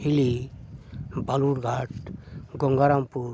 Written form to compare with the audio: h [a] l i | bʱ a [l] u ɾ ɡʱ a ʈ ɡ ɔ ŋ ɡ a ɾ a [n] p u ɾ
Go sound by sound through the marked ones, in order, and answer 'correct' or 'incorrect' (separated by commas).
incorrect, correct, incorrect